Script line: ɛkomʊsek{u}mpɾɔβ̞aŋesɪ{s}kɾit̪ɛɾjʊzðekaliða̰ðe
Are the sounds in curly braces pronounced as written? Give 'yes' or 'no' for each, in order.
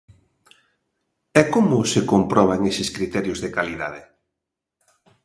no, yes

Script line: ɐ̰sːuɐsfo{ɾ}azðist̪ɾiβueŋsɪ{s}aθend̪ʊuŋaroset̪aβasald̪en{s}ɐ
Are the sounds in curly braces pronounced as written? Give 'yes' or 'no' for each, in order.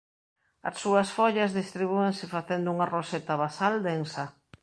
no, no, yes

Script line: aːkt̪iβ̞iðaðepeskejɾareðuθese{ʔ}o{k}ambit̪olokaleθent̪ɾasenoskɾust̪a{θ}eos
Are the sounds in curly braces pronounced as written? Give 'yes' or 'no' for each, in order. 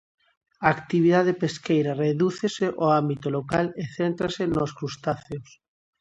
yes, no, yes

